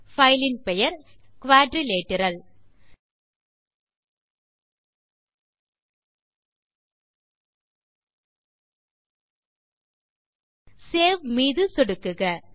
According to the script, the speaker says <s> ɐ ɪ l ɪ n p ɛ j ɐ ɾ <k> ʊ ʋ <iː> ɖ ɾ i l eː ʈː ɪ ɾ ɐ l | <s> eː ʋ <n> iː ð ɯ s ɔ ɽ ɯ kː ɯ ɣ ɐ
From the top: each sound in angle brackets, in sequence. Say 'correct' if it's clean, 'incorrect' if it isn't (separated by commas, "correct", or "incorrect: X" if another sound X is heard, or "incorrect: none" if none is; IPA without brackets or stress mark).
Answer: incorrect: f, correct, incorrect: aː, correct, incorrect: m